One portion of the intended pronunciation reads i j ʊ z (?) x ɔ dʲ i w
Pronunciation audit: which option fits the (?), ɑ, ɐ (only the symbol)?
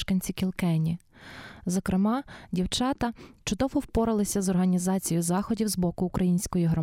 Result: ɑ